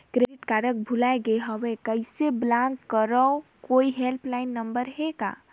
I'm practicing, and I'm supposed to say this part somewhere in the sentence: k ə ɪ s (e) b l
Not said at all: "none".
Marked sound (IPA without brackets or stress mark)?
e